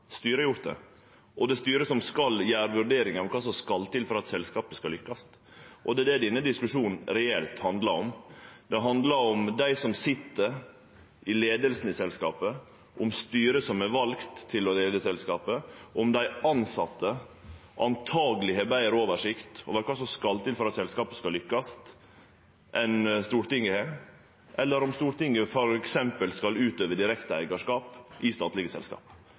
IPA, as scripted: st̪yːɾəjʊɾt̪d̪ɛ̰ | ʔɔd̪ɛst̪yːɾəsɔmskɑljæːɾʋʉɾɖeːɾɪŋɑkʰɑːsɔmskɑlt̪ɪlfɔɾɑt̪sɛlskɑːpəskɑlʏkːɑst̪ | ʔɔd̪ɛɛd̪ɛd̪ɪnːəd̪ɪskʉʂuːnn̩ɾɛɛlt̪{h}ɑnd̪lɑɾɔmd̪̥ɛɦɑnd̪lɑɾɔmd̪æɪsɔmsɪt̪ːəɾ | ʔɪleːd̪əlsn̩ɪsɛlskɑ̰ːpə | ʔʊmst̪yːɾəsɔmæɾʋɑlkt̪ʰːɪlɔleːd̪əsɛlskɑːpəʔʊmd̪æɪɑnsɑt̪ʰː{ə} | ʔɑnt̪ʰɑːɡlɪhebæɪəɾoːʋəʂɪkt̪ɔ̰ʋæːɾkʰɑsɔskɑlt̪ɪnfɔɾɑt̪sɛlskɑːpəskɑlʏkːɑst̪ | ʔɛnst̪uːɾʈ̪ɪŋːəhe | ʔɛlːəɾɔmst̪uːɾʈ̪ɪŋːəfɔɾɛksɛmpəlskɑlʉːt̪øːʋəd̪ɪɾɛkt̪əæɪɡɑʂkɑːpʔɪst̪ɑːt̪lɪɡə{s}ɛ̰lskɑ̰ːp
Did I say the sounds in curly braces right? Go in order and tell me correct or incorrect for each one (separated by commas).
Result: correct, correct, correct